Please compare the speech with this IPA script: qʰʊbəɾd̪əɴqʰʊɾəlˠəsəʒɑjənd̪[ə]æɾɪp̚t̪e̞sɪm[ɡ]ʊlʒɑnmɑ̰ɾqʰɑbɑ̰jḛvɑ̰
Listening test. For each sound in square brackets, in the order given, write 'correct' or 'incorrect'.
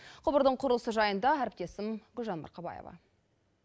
incorrect: ɑ, correct

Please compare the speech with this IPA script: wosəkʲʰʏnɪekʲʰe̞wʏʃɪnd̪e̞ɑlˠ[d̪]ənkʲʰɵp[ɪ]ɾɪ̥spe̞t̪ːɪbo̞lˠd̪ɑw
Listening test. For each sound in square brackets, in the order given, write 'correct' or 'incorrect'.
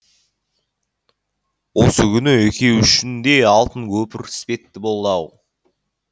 incorrect: t̪, correct

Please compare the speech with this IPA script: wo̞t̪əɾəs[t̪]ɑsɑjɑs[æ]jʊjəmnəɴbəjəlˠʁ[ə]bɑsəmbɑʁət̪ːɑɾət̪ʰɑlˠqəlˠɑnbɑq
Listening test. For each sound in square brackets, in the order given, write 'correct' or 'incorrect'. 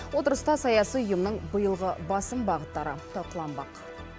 correct, incorrect: i, correct

